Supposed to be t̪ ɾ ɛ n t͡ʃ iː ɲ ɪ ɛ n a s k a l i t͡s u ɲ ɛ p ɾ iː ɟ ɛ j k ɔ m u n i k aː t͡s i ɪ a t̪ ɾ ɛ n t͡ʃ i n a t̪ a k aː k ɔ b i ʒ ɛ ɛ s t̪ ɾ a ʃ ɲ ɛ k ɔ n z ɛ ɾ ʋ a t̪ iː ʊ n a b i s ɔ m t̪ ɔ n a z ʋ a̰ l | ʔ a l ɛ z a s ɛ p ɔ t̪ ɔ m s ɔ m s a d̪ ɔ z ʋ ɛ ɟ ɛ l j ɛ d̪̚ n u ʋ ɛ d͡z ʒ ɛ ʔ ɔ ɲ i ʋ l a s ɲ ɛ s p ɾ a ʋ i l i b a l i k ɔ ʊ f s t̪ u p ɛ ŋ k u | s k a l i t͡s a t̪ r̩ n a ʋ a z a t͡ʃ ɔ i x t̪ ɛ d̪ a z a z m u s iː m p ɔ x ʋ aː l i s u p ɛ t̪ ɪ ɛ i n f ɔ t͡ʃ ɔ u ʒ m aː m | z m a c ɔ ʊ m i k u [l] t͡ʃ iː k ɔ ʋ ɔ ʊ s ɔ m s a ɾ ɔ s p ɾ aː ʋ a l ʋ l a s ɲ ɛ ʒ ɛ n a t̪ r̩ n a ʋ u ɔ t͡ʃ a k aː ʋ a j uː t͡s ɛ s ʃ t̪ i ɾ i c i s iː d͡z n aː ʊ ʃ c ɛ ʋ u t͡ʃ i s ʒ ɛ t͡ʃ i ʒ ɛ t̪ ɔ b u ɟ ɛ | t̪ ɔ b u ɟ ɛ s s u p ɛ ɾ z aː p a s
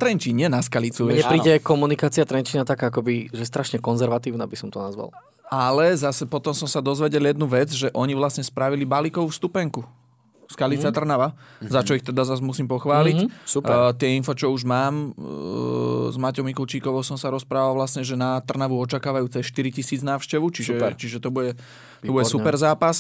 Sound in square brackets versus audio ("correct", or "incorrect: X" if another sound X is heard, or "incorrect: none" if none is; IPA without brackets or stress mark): correct